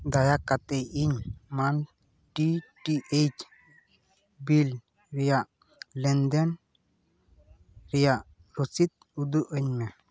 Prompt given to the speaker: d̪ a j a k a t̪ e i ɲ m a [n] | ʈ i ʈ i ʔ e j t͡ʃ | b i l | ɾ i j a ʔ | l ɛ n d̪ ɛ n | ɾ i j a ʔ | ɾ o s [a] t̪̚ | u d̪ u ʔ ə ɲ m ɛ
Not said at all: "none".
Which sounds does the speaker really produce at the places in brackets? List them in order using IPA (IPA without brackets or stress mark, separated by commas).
n, i